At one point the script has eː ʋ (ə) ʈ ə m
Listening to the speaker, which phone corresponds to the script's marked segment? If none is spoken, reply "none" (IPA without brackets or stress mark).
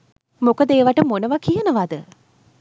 a